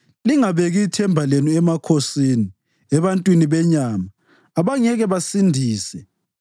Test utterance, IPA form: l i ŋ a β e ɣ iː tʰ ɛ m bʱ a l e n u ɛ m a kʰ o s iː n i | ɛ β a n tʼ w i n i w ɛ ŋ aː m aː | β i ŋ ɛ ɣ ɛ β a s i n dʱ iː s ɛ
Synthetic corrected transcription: l i ŋ a β e ɣ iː tʰ ɛ m bʱ a l e n u ɛ m a kʰ o s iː n i | ɛ β a n tʼ w i n i β ɛ ɲ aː m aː | β a ŋ ɛ ɣ ɛ β a s i n dʱ iː s ɛ